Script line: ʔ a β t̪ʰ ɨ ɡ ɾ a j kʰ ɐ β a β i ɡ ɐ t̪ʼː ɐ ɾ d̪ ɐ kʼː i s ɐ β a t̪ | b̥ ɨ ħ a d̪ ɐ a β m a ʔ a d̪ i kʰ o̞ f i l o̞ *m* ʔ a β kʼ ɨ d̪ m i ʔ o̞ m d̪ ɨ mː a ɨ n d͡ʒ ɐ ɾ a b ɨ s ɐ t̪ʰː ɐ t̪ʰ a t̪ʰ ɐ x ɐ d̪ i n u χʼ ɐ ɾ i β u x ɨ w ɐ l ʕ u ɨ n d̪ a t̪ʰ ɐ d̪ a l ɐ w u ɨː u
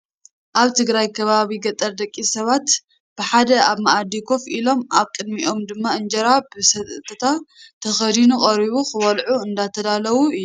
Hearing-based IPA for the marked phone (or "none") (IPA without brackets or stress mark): m